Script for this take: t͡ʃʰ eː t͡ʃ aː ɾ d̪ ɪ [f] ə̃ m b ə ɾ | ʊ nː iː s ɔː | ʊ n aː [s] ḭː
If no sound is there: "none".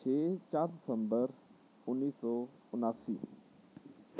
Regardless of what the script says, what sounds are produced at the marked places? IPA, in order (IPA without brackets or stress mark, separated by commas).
s, s